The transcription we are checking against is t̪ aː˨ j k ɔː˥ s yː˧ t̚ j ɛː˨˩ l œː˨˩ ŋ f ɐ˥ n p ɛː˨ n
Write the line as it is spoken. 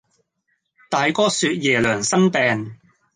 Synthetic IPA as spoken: t̪ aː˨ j k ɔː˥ s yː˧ t̚ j ɛː˨˩ l œː˨˩ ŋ s ɐ˥ n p ɛː˨ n